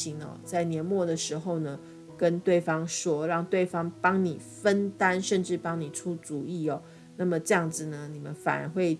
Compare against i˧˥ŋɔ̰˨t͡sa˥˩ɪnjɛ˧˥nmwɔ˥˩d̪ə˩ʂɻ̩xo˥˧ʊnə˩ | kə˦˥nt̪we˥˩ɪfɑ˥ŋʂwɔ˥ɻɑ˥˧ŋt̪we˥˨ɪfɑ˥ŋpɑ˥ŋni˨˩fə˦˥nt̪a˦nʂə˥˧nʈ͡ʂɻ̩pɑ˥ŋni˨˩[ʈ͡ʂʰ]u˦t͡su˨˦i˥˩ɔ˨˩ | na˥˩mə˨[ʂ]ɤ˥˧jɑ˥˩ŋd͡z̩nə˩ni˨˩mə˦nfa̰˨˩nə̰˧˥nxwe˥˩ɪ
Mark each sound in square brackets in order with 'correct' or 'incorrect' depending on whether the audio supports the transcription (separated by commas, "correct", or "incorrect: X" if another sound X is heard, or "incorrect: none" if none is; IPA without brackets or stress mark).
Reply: correct, incorrect: ʈ͡ʂ